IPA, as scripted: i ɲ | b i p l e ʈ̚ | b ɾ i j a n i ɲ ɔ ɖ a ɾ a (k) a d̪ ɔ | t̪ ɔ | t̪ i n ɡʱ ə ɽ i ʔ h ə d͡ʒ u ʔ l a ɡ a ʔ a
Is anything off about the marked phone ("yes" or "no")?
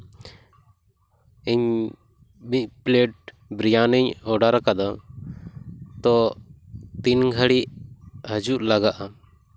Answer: no